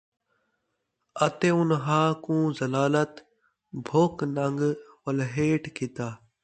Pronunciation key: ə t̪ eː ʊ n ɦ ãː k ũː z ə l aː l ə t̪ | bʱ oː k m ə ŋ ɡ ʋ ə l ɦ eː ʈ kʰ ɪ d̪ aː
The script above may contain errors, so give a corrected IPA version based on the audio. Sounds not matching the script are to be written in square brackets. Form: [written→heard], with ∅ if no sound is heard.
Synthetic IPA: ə t̪ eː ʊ n ɦ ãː k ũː z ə l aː l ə t̪ | bʱ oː k [m→n] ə ŋ ɡ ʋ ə l ɦ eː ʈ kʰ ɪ [d̪→t̪] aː